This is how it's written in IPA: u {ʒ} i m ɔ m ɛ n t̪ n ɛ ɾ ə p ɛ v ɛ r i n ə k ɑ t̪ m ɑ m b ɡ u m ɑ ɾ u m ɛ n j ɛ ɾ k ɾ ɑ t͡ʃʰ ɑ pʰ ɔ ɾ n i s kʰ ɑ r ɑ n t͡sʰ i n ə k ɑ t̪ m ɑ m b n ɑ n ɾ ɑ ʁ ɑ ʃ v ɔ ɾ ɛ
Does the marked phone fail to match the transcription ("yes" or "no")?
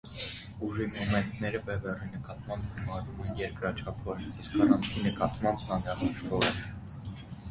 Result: no